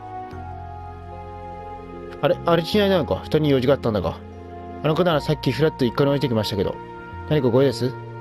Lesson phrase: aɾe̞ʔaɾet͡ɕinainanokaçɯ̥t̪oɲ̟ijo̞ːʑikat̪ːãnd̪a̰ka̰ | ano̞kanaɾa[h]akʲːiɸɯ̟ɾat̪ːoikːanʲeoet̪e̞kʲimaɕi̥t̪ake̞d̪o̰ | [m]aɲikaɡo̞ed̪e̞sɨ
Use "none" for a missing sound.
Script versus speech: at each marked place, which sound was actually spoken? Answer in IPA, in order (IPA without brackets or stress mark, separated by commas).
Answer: s, n